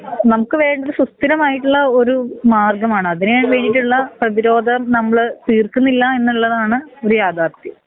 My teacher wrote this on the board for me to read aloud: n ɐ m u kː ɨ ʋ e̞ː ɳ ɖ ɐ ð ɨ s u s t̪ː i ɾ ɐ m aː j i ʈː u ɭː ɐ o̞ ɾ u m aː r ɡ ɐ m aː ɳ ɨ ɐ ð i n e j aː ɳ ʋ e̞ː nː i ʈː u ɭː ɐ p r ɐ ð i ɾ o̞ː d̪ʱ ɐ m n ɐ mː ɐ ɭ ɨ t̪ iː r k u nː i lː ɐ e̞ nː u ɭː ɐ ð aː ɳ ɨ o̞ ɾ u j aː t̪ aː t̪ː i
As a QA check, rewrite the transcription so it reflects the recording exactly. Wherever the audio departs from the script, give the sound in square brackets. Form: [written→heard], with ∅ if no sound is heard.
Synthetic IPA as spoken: n ɐ m u kː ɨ ʋ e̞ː ɳ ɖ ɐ ð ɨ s u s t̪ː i ɾ ɐ m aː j i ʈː u ɭː ɐ o̞ ɾ u m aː r ɡ ɐ m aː ɳ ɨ ɐ ð i n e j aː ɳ ʋ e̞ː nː i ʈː u ɭː ɐ p r ɐ ð i ɾ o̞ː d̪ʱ ɐ m n ɐ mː ɐ ɭ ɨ t̪ iː r k u nː i lː ɐ e̞ nː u ɭː ɐ ð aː ɳ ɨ o̞ ɾ u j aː [t̪→d̪] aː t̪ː i

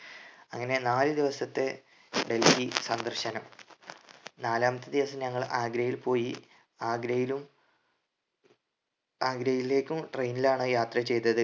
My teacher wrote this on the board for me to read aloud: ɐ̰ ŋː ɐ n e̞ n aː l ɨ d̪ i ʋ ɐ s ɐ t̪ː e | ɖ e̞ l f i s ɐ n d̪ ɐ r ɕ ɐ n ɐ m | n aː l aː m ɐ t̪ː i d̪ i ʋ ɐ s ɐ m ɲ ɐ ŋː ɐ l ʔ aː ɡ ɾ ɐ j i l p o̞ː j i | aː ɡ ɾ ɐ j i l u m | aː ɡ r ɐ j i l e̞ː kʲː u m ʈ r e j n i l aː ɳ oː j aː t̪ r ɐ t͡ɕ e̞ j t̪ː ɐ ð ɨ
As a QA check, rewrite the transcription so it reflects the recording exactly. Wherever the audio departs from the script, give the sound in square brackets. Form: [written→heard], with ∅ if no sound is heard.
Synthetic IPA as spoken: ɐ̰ ŋː ɐ n e̞ n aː l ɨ d̪ i ʋ ɐ s ɐ t̪ː e | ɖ e̞ l f i s ɐ n d̪ ɐ r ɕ ɐ n ɐ m | n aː l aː m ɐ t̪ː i d̪ i ʋ ɐ s ɐ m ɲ ɐ ŋː ɐ [l→ɭ] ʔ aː ɡ ɾ ɐ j i l p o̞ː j i | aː ɡ ɾ ɐ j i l u m | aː ɡ [r→ɾ] ɐ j i l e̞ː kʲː u m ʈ r e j n i l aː ɳ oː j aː t̪ r ɐ t͡ɕ e̞ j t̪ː ɐ ð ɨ

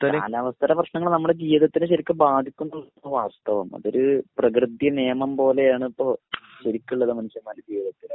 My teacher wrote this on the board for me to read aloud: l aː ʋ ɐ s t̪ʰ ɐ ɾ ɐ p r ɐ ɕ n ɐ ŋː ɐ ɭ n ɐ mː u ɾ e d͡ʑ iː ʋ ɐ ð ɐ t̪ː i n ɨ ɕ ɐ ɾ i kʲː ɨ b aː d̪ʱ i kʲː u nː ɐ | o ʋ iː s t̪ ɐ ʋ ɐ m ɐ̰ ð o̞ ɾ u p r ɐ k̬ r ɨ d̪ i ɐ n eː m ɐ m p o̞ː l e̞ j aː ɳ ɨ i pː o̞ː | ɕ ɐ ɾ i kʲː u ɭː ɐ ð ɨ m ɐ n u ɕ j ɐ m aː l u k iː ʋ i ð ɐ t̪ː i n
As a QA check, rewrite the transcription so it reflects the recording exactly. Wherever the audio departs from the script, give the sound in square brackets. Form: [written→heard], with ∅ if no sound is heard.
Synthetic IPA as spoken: l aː ʋ ɐ s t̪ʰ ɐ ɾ ɐ p r ɐ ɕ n ɐ ŋː ɐ ɭ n ɐ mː u [ɾ→ɽ] e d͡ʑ iː ʋ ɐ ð ɐ t̪ː i n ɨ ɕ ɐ ɾ i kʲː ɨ b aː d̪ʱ i kʲː u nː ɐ | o ʋ [iː→aː] s t̪ ɐ ʋ ɐ m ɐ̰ ð o̞ ɾ u p r ɐ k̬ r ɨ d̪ [i→j] ɐ n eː m ɐ m p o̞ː l e̞ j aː ɳ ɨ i pː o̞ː | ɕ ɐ ɾ i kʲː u ɭː ɐ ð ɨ m ɐ n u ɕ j ɐ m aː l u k iː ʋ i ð ɐ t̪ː i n

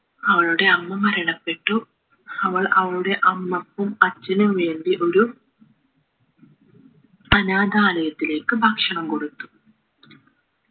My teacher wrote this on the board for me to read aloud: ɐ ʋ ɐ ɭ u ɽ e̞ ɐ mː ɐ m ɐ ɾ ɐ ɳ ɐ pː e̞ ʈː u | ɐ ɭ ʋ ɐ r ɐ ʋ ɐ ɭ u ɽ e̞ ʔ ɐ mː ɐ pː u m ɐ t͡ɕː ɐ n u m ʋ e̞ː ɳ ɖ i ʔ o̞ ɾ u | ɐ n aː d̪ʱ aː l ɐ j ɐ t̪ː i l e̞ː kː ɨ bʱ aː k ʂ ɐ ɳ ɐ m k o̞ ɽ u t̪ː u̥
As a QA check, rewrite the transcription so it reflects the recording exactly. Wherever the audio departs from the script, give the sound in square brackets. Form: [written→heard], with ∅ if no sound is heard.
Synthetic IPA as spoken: ɐ ʋ ɐ ɭ u ɽ e̞ ɐ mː ɐ m ɐ ɾ ɐ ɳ ɐ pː e̞ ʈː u | ɐ [ɭ→∅] ʋ ɐ [r→ɭ] ɐ ʋ ɐ ɭ u ɽ e̞ ʔ ɐ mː ɐ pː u m ɐ t͡ɕː ɐ n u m ʋ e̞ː ɳ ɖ i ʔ o̞ ɾ u | ɐ n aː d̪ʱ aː l ɐ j ɐ t̪ː i l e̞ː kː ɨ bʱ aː k ʂ ɐ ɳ ɐ m k o̞ ɽ u t̪ː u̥

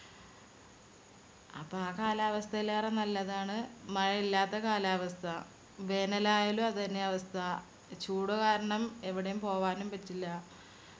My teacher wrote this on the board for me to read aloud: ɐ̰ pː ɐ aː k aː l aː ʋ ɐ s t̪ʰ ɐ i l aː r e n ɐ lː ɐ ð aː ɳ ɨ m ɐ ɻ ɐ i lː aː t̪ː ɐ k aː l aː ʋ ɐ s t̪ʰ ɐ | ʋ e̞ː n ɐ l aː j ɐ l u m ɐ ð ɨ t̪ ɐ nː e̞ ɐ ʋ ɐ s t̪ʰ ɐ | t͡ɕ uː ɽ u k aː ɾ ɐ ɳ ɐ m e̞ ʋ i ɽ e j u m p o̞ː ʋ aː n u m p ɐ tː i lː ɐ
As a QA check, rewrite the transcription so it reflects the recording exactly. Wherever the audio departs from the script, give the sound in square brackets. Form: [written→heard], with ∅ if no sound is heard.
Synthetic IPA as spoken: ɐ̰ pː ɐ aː k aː l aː ʋ ɐ s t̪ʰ ɐ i l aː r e n ɐ lː ɐ ð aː ɳ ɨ m ɐ ɻ ɐ i lː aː t̪ː ɐ k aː l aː ʋ ɐ s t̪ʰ ɐ | ʋ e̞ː n ɐ l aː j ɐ l u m ɐ ð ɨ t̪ ɐ nː e̞ ɐ ʋ ɐ s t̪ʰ ɐ | t͡ɕ uː ɽ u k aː ɾ ɐ ɳ ɐ m e̞ ʋ i ɽ e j u m p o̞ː ʋ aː n u m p ɐ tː i lː ɐ

